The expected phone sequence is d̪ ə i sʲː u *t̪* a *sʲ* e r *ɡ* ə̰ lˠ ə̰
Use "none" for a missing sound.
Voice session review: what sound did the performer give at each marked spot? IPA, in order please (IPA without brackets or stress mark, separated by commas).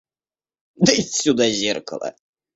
d̪, zʲ, k